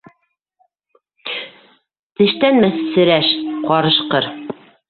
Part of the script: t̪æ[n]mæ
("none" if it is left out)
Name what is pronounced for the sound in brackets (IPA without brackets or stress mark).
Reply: n